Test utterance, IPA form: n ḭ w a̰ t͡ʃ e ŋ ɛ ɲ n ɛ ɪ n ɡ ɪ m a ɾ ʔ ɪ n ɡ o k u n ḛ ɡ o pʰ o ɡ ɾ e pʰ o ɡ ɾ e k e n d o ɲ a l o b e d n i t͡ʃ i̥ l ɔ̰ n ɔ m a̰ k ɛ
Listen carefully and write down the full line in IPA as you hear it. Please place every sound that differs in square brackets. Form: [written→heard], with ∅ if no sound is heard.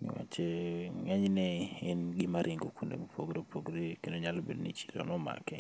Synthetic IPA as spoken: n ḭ w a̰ t͡ʃ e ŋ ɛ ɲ n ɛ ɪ n ɡ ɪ m a ɾ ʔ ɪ [n→ŋ] ɡ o k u n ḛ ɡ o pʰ o ɡ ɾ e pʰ o ɡ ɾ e k e n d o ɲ a l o b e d n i t͡ʃ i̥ l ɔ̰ n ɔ m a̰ k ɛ